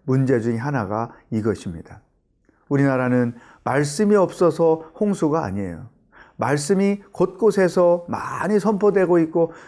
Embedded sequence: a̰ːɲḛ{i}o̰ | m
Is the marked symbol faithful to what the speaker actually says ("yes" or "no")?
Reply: no